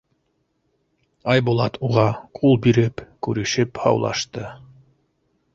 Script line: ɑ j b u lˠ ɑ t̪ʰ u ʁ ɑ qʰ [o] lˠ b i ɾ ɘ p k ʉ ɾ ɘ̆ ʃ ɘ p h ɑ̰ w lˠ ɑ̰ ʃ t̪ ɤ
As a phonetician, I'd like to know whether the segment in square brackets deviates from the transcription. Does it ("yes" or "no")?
yes